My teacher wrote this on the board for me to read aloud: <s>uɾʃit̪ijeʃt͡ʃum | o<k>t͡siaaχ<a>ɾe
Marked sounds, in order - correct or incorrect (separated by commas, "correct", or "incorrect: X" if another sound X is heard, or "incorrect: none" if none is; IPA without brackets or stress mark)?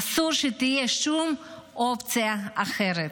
correct, incorrect: p, incorrect: e